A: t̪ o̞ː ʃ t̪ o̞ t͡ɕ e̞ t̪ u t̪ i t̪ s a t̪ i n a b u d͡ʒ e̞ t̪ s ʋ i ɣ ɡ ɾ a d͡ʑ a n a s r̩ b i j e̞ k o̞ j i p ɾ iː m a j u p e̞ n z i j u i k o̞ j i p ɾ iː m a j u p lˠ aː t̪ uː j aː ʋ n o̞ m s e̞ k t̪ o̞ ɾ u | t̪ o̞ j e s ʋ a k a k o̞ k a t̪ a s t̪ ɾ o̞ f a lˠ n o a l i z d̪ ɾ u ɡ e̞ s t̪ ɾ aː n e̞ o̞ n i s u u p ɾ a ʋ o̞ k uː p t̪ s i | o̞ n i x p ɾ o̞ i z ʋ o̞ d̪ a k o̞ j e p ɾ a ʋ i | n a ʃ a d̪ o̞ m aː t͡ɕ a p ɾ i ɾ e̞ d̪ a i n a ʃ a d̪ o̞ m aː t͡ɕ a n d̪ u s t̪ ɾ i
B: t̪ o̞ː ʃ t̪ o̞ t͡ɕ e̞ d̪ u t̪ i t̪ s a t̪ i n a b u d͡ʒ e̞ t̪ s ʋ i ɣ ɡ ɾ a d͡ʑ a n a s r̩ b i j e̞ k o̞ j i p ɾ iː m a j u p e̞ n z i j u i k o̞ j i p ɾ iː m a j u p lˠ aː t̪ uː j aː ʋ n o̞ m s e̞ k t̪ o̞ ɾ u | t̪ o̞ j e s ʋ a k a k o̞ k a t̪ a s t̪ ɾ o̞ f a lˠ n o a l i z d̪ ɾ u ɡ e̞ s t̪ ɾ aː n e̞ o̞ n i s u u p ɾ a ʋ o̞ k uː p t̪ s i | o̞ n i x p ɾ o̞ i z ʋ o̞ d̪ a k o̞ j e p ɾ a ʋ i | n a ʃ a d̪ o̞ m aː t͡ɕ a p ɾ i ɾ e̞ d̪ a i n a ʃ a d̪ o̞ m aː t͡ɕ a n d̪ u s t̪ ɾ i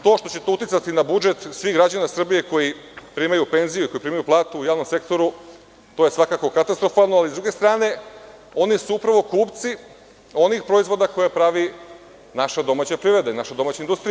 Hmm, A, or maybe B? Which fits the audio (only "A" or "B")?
A